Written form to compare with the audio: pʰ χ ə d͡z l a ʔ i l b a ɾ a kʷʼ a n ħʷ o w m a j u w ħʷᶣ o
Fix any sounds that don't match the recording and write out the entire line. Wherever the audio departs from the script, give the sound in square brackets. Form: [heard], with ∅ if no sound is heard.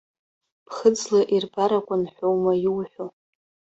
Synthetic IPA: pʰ χ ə d͡z l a ʔ i [r] b a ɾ a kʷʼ a n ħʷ o w m a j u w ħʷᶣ o